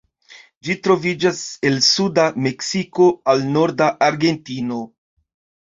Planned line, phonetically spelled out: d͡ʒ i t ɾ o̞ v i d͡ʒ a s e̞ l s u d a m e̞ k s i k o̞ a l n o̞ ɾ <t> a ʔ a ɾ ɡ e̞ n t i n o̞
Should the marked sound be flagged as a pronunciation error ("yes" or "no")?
yes